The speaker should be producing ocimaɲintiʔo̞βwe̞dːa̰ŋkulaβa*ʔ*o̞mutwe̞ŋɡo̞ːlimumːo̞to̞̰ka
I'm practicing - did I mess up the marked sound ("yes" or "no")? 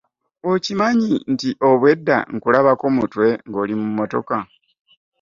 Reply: yes